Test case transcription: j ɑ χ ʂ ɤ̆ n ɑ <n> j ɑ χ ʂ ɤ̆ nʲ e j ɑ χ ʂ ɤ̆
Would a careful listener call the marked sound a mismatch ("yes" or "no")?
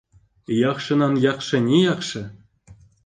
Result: no